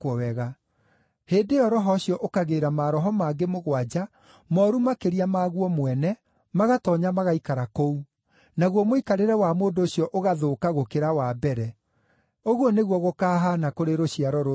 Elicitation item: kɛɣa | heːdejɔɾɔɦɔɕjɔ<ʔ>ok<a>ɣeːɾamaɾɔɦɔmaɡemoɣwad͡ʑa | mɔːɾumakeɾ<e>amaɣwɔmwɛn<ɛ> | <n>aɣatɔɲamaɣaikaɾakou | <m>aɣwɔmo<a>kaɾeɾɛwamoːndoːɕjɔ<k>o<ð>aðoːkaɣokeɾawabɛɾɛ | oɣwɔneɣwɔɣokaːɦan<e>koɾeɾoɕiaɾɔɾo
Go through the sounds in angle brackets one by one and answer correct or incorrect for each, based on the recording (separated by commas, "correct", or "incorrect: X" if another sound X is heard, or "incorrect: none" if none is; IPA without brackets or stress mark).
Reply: correct, correct, incorrect: i, correct, incorrect: m, incorrect: n, incorrect: i, incorrect: ʔ, incorrect: ɣ, incorrect: a